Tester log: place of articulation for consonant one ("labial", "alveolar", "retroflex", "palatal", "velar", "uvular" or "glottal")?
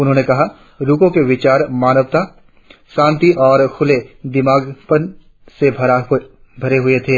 alveolar